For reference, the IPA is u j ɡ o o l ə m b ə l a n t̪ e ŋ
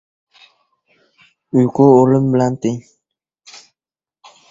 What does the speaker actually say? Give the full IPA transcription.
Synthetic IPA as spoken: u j k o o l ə m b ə l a n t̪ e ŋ